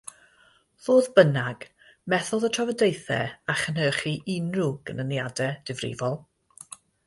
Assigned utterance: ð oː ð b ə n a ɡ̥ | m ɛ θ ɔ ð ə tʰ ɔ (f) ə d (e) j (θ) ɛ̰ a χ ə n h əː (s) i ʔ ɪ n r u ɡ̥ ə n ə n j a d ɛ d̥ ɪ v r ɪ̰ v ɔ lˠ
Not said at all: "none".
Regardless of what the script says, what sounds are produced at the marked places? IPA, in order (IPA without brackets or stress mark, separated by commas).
v, e, θ, χ